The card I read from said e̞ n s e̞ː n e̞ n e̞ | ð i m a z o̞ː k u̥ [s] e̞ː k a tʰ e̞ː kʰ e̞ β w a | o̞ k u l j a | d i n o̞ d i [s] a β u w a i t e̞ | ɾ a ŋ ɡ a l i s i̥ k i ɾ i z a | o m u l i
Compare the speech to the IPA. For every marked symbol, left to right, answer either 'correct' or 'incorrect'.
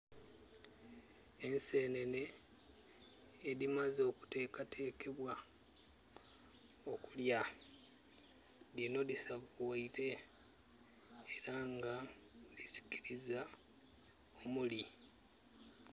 incorrect, correct

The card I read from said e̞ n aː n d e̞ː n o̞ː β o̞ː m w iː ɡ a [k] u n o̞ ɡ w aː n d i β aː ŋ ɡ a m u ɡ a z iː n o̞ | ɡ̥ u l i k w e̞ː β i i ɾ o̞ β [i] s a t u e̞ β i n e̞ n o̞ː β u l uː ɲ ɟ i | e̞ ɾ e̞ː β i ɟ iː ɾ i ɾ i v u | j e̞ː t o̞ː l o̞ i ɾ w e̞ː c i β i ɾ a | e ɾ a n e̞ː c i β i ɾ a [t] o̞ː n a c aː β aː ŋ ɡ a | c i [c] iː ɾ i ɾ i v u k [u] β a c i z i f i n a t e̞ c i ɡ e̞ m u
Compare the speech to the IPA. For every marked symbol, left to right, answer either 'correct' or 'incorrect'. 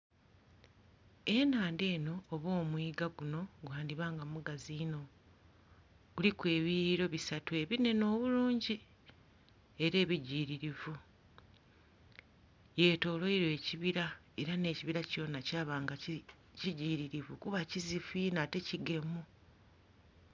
incorrect, correct, incorrect, incorrect, correct

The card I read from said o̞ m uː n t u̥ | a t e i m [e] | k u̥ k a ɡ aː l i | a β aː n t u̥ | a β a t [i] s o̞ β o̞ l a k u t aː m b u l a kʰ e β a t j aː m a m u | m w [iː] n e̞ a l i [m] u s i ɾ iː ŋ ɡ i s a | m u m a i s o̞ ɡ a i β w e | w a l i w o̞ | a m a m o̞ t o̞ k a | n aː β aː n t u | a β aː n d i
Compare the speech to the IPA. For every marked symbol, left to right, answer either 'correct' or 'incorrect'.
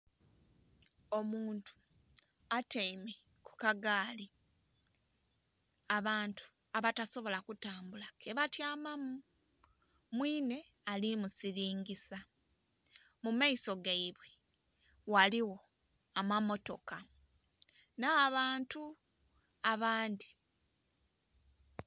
correct, incorrect, correct, correct

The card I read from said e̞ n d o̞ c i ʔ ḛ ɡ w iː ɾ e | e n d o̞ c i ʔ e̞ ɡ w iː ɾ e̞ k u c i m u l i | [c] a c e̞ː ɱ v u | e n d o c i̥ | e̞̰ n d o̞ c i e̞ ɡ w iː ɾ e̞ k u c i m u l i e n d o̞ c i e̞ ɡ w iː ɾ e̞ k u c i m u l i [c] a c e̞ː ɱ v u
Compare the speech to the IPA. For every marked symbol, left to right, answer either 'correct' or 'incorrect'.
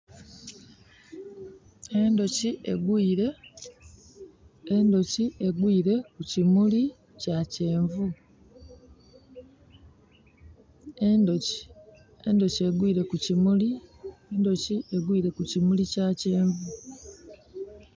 correct, correct

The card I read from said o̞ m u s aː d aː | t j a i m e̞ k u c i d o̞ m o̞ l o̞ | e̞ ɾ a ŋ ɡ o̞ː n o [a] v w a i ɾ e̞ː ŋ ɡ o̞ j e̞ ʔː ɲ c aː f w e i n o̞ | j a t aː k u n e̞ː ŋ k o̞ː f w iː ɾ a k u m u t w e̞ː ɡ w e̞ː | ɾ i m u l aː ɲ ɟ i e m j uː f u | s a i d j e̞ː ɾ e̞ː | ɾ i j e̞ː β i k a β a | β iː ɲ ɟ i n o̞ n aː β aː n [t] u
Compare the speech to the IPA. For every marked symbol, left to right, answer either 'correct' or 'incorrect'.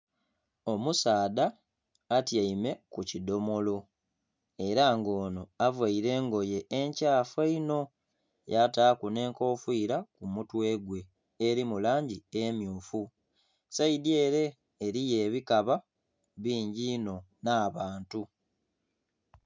correct, correct

